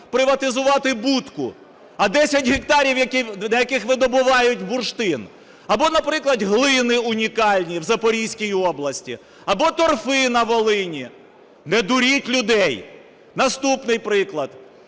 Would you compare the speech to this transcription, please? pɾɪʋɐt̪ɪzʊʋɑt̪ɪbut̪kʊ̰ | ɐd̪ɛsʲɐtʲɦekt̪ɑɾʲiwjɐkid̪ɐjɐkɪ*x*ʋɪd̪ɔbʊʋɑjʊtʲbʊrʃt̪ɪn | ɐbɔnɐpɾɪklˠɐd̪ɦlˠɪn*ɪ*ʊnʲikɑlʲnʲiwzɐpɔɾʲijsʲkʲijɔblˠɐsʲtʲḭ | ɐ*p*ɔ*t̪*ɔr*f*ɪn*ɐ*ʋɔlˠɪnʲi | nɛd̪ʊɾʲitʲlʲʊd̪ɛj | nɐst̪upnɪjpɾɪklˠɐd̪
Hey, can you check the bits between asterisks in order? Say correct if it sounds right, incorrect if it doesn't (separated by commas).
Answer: correct, correct, incorrect, correct, correct, correct